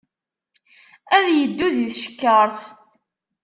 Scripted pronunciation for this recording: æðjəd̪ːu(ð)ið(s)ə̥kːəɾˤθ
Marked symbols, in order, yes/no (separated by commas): yes, no